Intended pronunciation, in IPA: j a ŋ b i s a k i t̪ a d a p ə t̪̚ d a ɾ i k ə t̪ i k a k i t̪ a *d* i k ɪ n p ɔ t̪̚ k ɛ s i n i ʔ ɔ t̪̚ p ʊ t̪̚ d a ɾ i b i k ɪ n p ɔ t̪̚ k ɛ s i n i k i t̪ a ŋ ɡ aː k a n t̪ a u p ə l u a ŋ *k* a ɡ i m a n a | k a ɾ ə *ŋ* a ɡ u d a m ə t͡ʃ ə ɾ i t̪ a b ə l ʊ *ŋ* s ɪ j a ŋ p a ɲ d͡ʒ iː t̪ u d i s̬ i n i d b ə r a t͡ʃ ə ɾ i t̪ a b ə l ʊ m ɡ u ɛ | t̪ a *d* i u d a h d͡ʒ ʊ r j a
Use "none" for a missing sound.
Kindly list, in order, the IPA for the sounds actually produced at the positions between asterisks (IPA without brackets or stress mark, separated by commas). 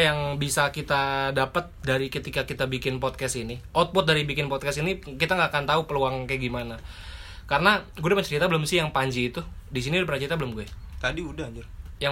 b, k, n, m, d